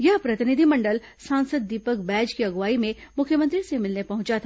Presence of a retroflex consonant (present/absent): present